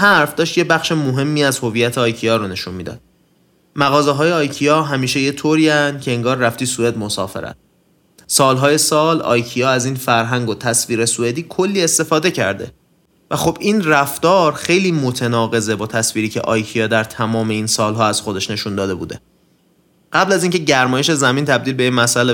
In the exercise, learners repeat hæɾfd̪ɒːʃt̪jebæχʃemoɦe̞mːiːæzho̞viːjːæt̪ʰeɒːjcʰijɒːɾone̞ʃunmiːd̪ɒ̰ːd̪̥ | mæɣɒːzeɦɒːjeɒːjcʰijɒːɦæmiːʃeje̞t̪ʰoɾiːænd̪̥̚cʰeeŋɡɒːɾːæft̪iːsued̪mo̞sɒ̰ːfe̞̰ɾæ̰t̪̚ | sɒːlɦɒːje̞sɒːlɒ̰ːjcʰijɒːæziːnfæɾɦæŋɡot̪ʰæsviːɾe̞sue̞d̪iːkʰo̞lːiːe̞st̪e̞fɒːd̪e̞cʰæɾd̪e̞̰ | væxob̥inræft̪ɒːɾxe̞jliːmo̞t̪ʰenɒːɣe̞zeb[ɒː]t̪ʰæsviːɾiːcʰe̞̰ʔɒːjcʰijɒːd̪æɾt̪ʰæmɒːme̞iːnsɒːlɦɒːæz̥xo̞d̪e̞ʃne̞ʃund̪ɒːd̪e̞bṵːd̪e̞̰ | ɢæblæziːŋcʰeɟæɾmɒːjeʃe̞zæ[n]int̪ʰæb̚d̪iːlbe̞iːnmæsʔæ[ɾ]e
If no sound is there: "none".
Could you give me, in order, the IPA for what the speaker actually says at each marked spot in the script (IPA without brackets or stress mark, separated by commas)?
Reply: ɒː, m, l